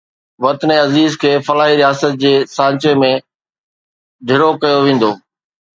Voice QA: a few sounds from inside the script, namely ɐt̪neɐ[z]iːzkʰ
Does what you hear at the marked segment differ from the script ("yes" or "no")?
no